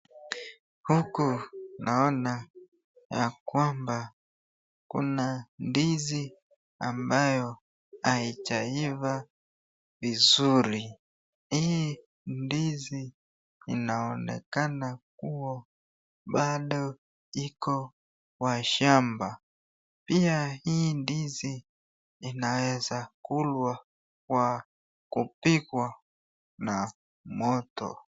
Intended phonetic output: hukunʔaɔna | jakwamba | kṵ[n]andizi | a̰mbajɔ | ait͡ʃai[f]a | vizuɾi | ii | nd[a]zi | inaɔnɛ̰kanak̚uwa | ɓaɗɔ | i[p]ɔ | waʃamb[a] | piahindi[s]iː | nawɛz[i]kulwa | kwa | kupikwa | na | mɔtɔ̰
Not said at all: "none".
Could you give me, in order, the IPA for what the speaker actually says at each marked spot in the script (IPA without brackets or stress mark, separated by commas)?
n, v, i, k, a, z, a